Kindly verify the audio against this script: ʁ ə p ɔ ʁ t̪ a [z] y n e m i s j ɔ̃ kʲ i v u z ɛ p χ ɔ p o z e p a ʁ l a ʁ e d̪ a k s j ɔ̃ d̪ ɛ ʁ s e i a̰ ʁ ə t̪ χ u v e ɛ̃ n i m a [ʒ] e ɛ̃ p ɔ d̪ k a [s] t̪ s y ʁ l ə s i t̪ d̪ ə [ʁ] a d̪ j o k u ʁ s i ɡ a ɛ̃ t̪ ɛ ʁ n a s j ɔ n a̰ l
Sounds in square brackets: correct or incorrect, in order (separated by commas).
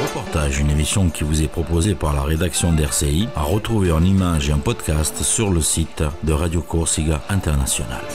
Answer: incorrect, correct, correct, correct